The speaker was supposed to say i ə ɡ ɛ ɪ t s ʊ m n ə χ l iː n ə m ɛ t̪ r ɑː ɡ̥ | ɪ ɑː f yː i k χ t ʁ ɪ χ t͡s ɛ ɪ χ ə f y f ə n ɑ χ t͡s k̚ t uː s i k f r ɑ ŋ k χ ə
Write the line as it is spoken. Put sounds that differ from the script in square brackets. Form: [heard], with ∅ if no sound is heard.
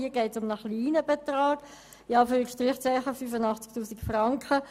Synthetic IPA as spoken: i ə ɡ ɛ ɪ t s ʊ m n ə χ l iː n ə [b] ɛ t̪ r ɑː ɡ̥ | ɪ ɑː f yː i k [ʃ] t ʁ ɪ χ t͡s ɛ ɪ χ ə f y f ə n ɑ χ t͡s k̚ t uː s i k f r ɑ ŋ k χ ə